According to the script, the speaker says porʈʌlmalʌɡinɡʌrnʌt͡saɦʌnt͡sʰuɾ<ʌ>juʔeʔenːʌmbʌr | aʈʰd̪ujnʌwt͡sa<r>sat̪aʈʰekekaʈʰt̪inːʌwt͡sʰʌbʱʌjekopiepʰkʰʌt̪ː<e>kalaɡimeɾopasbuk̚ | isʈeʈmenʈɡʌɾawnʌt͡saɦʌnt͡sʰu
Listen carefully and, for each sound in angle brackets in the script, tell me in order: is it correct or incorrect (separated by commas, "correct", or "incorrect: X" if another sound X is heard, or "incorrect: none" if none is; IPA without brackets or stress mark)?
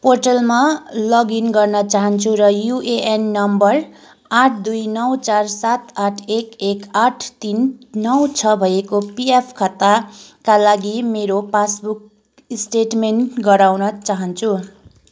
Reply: correct, correct, incorrect: a